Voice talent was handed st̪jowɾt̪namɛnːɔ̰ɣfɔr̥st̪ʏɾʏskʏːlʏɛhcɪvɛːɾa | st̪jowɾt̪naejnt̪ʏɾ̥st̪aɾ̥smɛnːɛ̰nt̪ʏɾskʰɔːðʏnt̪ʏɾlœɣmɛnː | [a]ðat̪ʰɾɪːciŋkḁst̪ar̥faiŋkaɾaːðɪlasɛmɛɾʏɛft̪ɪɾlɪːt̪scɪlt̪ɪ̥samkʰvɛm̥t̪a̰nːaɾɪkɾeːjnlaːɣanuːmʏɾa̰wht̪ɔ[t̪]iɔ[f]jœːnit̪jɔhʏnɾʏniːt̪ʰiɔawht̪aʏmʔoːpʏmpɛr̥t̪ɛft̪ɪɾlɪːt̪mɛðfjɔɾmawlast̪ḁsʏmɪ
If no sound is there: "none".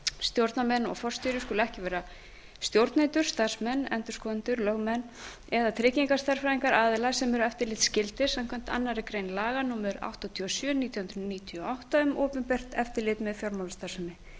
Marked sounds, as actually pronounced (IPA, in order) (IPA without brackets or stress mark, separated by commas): ɛ, t̪ʰ, s